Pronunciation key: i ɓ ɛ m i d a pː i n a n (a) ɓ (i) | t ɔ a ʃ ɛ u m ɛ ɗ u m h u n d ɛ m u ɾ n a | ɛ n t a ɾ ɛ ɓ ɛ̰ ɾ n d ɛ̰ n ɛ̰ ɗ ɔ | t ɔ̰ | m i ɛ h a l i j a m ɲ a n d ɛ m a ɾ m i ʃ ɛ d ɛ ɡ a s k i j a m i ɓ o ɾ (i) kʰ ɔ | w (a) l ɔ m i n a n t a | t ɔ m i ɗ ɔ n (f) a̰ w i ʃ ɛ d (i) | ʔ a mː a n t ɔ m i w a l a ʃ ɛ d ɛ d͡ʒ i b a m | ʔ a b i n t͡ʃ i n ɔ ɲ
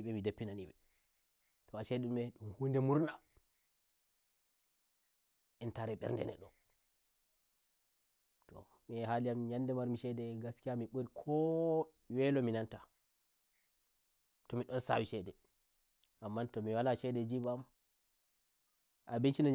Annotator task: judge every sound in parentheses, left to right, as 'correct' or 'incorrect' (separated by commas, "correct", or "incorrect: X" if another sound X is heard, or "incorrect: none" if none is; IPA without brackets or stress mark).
incorrect: i, incorrect: ɛ, correct, incorrect: ɛ, incorrect: s, incorrect: ɛ